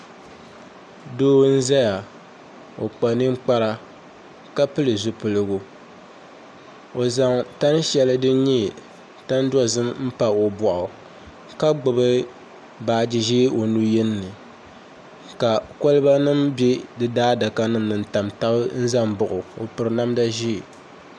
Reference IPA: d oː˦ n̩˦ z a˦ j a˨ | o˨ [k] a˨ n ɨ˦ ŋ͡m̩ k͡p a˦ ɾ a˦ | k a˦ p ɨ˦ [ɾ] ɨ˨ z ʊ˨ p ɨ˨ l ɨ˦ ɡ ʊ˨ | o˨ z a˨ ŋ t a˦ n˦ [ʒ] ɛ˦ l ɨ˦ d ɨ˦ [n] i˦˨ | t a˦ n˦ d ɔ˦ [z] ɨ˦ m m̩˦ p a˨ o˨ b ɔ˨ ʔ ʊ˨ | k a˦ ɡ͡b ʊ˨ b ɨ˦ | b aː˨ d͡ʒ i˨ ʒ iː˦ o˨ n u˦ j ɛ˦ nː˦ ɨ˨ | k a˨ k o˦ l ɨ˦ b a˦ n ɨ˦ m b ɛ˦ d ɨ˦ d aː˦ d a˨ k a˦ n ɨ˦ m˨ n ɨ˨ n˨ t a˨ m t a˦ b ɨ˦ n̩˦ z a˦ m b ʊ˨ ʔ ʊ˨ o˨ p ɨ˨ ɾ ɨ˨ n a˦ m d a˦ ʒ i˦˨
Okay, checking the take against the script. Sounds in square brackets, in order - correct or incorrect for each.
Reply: incorrect: k͡p, incorrect: l, incorrect: ʃ, incorrect: ɲ, correct

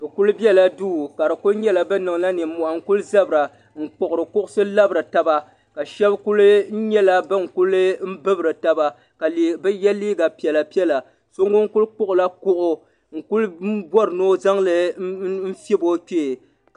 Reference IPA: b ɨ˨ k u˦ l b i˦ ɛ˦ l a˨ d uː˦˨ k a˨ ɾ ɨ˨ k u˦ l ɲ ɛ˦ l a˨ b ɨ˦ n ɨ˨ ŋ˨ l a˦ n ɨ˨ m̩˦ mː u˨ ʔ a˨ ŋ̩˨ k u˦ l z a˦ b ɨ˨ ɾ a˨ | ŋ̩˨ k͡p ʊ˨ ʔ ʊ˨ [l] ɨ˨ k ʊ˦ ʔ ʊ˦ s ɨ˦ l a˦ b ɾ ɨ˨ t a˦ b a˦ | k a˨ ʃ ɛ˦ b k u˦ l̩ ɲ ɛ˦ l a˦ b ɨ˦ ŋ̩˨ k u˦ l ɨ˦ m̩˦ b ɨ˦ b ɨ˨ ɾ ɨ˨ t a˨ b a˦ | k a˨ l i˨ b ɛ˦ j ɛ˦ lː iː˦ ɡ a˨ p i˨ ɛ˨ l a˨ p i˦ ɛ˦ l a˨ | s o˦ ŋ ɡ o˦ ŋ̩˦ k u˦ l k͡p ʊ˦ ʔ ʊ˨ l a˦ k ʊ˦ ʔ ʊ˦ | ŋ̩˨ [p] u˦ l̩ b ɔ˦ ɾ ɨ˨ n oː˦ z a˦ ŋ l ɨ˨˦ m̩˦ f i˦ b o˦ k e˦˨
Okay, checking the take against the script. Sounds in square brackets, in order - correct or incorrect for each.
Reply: incorrect: ɾ, incorrect: k

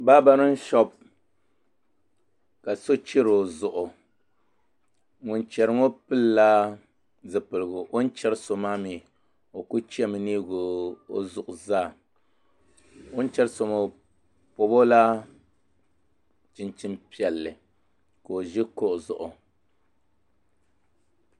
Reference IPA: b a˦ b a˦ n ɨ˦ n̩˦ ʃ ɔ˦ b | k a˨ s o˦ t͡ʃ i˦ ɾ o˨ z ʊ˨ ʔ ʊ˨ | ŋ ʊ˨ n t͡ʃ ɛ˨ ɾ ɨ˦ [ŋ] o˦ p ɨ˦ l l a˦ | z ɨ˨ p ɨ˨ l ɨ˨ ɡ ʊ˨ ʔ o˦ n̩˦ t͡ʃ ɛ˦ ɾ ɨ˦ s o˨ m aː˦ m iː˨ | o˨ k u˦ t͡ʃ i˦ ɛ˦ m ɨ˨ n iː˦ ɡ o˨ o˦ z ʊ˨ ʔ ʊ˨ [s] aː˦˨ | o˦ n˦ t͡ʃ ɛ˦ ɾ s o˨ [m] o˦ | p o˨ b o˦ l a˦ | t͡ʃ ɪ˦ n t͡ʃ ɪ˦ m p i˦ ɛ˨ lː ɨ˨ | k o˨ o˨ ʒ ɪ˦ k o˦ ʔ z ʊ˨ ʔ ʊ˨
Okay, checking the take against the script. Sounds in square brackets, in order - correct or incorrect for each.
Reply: correct, incorrect: z, correct

